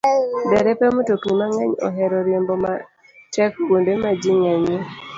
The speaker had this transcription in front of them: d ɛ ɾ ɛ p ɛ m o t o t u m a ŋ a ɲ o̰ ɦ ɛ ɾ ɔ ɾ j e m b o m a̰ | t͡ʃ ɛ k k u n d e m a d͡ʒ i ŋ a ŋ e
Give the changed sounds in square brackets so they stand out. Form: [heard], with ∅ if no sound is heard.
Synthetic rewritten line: d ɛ ɾ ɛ p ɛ m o t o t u m a ŋ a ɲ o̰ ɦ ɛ ɾ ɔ ɾ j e m b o m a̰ | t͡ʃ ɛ k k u n d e m a d͡ʒ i ŋ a [ɲ] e